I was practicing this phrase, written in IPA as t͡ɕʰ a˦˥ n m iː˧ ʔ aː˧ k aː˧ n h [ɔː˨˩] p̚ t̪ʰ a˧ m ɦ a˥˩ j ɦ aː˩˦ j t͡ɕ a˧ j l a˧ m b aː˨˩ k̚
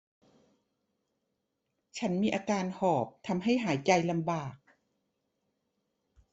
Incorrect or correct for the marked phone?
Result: correct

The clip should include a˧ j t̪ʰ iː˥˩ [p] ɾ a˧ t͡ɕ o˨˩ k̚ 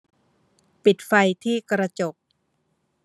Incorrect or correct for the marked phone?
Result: incorrect: k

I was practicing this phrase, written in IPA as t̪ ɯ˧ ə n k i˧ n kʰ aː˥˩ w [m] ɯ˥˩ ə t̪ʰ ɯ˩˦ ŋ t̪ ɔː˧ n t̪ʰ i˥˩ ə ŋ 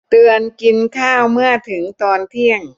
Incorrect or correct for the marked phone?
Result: correct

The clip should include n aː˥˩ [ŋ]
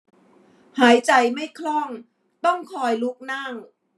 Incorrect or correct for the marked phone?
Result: correct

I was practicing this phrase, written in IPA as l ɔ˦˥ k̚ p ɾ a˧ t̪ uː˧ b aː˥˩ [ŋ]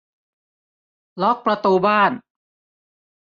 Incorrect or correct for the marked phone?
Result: incorrect: n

